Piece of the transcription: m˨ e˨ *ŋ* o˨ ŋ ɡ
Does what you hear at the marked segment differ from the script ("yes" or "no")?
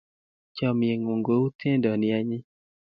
no